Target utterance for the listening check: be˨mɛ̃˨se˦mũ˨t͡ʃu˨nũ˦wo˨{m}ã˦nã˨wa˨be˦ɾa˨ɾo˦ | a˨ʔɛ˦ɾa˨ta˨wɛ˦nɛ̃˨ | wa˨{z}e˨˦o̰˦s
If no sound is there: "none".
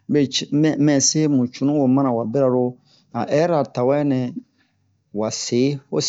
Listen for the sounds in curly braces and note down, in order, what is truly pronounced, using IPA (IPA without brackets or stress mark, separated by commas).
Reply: m, s